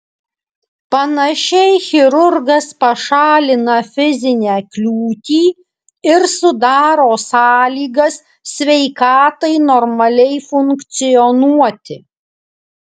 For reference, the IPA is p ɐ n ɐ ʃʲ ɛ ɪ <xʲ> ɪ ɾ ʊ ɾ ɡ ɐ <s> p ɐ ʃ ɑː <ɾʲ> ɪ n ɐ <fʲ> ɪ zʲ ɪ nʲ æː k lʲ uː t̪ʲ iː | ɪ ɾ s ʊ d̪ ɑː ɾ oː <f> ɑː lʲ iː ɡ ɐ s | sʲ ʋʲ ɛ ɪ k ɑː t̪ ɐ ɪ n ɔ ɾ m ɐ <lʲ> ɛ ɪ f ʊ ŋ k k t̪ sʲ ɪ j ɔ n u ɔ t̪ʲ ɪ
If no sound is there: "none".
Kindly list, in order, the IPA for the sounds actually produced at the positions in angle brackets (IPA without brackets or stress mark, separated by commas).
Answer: xʲ, s, lʲ, fʲ, s, lʲ